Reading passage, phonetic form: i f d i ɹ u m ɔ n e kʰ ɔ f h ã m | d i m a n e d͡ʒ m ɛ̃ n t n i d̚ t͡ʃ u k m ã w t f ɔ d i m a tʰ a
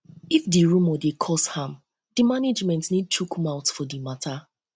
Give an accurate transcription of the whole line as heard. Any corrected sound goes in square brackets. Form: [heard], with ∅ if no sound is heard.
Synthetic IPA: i f d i ɹ u m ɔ [d] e kʰ ɔ [s] h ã m | d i m a n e d͡ʒ m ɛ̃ n t n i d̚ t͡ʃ u k m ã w t f ɔ d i m a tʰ a